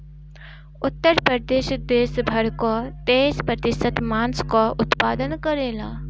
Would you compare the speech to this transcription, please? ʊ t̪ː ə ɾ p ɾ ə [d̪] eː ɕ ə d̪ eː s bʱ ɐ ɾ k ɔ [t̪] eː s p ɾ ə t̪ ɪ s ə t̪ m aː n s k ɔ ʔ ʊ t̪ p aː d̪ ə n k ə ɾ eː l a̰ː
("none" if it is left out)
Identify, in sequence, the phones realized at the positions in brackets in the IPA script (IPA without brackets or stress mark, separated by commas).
d̪, t̪